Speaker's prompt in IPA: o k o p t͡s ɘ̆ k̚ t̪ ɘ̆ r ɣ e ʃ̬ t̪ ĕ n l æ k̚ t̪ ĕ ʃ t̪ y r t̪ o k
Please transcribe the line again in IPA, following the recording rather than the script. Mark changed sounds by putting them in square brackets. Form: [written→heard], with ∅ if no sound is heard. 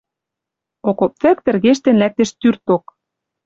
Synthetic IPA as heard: o k o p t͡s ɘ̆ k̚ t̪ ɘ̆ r ɣ e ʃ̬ t̪ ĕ n l æ k̚ t̪ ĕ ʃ t̪ y r t̪ o k